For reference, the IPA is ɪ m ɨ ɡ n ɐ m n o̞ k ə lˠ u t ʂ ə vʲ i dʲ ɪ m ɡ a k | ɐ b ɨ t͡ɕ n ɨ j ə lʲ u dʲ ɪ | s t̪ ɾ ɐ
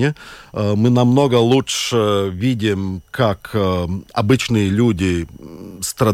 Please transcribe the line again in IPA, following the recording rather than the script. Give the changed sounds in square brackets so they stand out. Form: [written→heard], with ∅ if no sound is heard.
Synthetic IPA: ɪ m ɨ [ɡ→∅] n ɐ m n o̞ [k→ɡ] ə lˠ u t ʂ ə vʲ i dʲ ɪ m [ɡ→k] a k | ɐ b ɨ t͡ɕ n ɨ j ə lʲ u dʲ ɪ | s t̪ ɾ ɐ